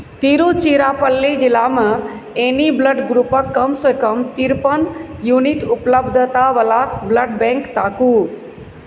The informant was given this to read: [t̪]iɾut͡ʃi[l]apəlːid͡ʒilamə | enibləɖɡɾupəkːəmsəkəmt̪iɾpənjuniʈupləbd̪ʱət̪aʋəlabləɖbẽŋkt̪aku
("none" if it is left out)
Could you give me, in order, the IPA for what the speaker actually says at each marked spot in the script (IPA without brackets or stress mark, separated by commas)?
t̪, ɾ